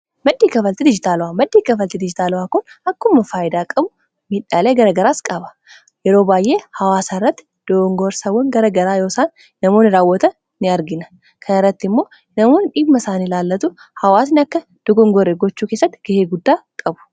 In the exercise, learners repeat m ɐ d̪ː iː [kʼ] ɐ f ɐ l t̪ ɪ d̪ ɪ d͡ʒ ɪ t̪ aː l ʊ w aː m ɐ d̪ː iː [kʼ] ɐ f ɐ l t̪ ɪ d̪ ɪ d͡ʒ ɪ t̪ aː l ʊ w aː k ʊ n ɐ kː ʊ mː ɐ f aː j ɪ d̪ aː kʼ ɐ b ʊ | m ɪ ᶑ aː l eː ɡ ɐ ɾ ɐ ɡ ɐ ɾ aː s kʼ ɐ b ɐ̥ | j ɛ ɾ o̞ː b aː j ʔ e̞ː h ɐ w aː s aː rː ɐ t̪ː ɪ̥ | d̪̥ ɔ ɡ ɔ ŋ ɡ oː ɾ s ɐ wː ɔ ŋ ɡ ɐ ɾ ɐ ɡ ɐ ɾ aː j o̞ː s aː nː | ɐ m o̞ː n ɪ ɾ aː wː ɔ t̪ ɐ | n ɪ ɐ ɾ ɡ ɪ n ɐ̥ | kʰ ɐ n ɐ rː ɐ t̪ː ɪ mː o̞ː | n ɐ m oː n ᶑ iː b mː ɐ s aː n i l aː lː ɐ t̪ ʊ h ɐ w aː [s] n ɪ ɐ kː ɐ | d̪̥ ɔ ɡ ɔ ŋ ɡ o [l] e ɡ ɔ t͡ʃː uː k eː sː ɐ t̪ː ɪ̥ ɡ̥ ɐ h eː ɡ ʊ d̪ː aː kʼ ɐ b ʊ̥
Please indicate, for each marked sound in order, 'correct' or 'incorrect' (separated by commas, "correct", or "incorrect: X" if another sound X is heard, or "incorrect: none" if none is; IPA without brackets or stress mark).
incorrect: k, incorrect: k, correct, incorrect: ɾ